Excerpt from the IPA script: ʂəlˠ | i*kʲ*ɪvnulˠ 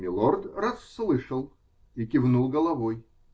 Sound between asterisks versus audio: correct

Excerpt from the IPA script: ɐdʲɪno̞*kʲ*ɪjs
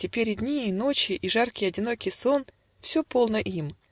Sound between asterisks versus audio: correct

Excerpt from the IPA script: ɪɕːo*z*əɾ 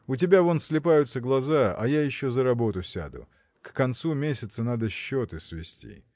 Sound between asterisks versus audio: correct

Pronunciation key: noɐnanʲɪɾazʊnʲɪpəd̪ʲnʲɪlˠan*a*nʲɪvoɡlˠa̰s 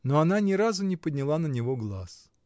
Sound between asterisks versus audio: incorrect: ə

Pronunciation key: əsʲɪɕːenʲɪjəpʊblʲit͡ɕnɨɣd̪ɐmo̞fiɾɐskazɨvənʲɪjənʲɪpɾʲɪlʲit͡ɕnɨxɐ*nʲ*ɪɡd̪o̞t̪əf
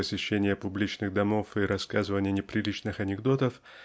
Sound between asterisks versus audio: correct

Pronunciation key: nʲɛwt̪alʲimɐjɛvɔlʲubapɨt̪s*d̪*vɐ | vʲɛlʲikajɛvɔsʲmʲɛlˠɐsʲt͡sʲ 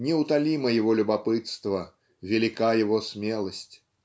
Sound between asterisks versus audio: incorrect: t̪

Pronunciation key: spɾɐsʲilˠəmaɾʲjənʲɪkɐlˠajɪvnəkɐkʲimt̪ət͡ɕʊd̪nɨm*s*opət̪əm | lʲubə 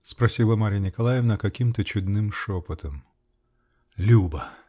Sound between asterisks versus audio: incorrect: ʂ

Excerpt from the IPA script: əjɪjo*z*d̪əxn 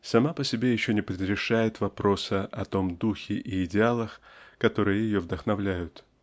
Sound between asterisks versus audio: incorrect: v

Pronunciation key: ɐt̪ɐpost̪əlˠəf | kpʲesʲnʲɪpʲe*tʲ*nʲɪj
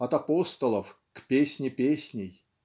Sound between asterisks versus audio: incorrect: sʲ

